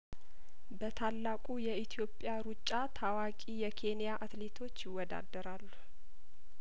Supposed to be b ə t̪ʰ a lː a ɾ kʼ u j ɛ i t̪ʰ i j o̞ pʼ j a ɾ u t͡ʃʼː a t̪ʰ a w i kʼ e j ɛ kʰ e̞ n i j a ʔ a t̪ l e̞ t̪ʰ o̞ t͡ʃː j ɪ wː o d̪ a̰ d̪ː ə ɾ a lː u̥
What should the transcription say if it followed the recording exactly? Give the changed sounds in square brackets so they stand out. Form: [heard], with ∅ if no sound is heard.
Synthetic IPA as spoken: b ə t̪ʰ a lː a [∅] kʼ u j ɛ i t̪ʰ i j o̞ pʼ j a ɾ u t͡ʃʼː a t̪ʰ a w [a] kʼ [i] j ɛ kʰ e̞ n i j a ʔ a t̪ l e̞ t̪ʰ o̞ t͡ʃː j ɪ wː [ɔ] d̪ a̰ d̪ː ə ɾ a lː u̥